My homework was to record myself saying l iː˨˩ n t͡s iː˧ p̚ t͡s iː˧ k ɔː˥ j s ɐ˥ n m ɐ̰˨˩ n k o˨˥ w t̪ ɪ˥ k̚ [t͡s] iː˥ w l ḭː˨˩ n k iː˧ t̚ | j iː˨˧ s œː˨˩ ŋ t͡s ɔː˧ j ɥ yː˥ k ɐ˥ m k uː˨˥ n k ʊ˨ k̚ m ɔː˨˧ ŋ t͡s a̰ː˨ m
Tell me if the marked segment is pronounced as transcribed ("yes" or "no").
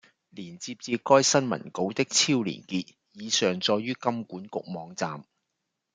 no